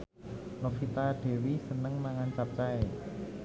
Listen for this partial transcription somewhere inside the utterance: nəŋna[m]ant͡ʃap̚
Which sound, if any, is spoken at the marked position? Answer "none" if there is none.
ŋ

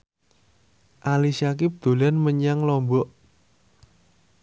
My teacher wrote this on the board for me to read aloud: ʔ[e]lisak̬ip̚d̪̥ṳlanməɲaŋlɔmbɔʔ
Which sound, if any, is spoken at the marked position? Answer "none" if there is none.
a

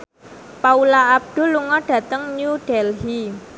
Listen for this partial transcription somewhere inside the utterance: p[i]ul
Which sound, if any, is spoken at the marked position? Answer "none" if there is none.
a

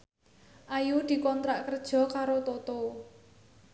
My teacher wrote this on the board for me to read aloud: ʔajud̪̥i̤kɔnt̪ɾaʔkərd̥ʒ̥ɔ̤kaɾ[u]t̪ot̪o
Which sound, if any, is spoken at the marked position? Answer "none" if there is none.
o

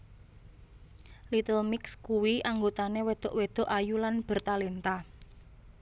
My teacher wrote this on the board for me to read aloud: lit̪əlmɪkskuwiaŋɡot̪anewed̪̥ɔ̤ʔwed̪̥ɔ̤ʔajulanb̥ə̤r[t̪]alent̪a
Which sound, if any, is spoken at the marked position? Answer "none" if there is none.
t̪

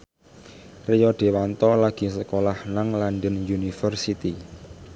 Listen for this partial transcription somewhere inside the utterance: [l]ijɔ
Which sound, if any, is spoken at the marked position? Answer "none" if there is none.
r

